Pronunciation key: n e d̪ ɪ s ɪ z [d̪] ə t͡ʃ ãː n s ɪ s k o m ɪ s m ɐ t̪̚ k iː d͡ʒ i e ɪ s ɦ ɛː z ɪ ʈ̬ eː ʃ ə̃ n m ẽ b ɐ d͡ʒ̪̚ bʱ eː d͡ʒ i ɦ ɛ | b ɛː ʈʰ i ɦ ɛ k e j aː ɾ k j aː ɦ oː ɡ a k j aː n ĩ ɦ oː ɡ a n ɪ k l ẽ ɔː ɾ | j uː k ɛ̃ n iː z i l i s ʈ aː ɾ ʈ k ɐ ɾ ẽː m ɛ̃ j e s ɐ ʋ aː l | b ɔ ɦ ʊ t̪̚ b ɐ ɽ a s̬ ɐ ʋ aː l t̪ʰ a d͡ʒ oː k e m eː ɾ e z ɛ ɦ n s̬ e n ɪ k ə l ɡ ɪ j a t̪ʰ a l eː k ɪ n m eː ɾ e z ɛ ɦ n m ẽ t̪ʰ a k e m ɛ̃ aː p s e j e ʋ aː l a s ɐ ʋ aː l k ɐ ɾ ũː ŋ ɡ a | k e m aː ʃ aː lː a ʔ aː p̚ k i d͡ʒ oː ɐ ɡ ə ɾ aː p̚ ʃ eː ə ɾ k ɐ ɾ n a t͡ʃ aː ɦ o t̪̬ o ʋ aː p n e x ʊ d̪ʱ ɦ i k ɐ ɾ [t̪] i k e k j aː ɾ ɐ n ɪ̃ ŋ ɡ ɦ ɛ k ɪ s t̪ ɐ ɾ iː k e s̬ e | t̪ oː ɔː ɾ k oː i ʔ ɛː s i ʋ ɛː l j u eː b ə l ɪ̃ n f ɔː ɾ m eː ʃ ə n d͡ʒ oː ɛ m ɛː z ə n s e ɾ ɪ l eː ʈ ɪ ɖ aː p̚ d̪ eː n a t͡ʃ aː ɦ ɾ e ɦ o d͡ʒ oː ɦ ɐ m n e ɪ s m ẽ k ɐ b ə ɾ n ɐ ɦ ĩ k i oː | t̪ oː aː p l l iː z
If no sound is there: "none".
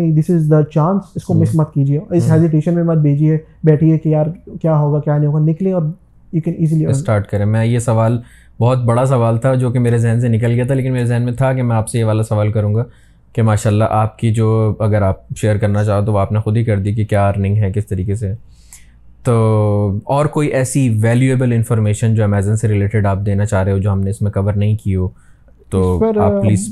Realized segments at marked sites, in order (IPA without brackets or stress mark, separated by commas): d̪, d̪